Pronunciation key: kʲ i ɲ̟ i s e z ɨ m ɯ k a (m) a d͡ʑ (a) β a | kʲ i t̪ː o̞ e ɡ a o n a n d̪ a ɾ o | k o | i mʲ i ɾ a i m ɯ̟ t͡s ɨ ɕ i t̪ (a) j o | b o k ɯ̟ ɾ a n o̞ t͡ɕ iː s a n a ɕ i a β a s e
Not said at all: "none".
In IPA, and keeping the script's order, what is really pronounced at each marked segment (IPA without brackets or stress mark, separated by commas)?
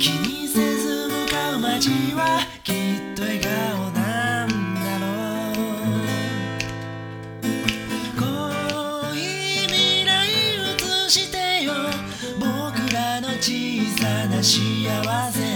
m, i, e